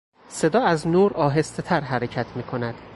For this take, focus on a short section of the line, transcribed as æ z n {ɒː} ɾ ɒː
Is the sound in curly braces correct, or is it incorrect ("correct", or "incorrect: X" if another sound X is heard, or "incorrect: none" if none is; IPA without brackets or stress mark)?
incorrect: uː